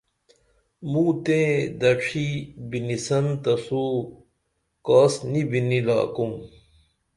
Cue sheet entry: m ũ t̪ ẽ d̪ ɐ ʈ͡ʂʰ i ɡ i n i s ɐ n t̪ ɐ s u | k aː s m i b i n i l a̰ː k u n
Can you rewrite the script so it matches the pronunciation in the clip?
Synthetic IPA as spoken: m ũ t̪ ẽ d̪ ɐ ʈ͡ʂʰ i b i n i s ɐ n t̪ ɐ s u | k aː s n i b i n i l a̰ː k u m